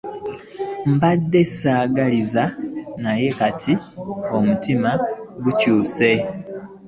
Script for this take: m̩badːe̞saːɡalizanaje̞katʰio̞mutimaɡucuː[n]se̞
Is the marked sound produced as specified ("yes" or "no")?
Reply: no